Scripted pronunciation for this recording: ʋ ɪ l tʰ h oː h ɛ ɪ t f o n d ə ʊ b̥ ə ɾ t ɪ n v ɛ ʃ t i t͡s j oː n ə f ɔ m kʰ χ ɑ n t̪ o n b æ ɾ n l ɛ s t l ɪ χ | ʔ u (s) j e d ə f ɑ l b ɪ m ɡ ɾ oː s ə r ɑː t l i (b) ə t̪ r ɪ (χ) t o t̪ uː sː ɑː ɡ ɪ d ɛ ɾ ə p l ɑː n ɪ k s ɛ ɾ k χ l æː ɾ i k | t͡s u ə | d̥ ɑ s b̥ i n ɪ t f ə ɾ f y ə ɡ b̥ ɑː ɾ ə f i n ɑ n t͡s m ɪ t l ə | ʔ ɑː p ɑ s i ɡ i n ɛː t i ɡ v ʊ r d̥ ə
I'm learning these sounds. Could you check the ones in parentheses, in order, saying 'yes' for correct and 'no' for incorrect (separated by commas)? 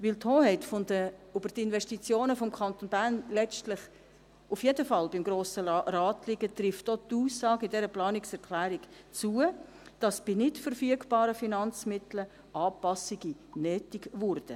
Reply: no, no, no